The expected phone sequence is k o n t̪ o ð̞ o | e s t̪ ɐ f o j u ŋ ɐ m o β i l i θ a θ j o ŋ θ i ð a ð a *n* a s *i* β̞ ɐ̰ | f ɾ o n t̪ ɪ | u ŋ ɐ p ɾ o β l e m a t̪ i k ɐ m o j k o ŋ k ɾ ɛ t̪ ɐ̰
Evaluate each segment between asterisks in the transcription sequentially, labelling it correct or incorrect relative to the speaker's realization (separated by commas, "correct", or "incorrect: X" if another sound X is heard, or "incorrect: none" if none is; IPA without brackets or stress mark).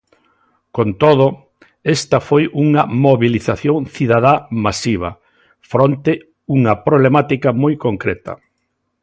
incorrect: m, correct